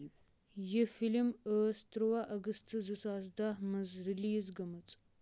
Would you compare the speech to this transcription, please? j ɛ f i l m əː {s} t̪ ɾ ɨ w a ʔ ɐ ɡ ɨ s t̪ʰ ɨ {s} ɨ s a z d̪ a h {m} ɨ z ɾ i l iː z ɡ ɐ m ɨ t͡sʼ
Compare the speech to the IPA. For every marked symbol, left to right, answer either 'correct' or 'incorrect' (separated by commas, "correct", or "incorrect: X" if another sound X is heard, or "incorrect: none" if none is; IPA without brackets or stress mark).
correct, incorrect: z, correct